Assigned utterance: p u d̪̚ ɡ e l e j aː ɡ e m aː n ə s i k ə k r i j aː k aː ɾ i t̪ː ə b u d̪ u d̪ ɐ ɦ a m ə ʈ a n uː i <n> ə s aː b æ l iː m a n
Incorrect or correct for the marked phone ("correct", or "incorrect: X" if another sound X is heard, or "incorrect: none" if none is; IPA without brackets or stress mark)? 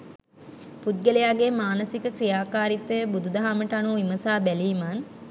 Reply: incorrect: m